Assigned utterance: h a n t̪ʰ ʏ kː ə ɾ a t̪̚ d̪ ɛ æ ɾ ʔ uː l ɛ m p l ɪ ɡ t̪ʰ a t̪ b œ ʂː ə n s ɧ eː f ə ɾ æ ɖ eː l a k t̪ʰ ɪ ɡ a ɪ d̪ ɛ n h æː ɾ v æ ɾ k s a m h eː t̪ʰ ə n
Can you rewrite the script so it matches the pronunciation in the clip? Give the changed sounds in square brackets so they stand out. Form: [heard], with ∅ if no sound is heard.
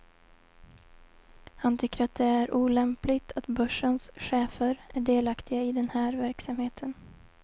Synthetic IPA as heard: h a n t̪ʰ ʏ kː ə ɾ a t̪̚ d̪ ɛ æ ɾ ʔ uː l ɛ m p l ɪ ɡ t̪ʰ a t̪ b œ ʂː ə n s ɧ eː f ə ɾ æ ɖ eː l a k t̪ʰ ɪ ɡ a ɪ d̪ ɛ n h æː ɾ v æ ɾ k s a m h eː t̪ʰ ə n